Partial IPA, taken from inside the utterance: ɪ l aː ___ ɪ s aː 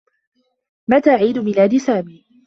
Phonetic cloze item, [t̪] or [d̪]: d̪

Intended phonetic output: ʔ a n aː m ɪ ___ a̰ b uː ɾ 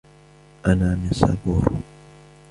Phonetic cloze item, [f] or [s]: s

